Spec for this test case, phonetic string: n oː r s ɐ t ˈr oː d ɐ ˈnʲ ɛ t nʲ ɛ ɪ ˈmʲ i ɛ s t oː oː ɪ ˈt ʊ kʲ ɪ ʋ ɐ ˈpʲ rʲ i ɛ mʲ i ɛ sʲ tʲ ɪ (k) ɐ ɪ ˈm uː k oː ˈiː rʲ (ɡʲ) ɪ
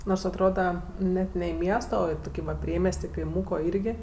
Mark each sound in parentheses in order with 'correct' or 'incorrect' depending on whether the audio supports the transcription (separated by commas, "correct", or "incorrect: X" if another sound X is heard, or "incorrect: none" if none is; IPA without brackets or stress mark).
correct, correct